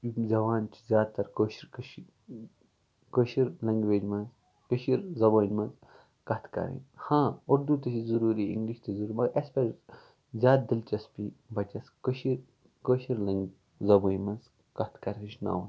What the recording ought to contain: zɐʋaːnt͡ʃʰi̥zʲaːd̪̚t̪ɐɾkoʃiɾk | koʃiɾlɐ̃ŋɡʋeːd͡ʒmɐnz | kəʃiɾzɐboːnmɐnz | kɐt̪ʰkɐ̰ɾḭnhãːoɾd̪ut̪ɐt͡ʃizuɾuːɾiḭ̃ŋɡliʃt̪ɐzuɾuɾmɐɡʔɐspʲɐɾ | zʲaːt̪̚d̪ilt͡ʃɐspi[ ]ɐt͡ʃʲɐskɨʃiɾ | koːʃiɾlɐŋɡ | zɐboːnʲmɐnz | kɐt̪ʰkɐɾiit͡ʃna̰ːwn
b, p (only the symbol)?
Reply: b